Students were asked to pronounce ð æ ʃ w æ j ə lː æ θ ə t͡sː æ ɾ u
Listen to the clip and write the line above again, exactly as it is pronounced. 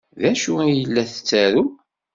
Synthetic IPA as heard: ð æ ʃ u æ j ə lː æ θ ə t͡sː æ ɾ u